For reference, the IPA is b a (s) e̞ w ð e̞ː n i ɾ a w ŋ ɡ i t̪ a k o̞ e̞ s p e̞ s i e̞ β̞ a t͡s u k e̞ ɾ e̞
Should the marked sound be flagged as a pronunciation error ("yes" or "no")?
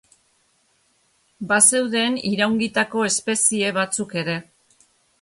no